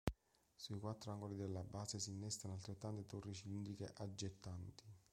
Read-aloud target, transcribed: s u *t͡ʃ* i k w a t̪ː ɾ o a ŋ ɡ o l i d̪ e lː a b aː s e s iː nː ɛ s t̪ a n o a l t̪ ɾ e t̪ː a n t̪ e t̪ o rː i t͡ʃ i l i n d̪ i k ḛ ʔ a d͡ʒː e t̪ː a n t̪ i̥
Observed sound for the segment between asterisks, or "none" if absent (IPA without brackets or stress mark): none